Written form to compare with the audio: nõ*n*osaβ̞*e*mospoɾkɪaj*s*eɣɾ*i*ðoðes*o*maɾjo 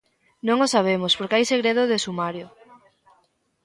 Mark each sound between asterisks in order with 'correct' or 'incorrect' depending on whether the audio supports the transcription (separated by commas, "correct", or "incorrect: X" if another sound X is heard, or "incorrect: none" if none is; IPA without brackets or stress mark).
incorrect: ŋ, correct, correct, incorrect: e, incorrect: u